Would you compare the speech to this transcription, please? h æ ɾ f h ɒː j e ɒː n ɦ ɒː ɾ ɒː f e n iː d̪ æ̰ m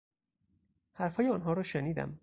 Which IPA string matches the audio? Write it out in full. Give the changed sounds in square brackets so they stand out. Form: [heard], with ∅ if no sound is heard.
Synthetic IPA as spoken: h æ ɾ f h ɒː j e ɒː n ɦ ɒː ɾ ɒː [ʃ] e n iː d̪ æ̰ m